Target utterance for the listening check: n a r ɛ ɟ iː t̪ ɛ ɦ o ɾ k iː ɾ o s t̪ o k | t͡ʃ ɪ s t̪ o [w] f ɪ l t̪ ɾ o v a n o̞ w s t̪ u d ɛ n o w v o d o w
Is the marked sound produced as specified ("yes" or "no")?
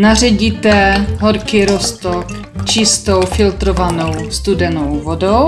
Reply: yes